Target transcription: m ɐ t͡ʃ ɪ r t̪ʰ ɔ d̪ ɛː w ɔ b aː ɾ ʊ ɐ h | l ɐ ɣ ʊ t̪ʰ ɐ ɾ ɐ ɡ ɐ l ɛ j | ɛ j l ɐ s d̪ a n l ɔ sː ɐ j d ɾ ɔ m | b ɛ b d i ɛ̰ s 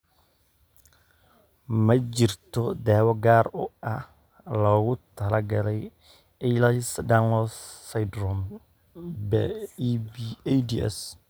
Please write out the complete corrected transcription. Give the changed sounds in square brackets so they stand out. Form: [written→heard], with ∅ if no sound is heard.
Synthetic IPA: m ɐ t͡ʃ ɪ r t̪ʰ ɔ d̪ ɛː w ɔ [b→ɡ] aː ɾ ʊ ɐ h | l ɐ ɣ ʊ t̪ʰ ɐ [ɾ→l] ɐ ɡ ɐ l ɛ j | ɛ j l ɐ s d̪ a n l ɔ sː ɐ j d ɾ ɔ m | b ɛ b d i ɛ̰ s